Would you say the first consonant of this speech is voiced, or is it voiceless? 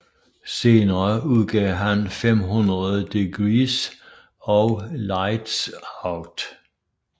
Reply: voiceless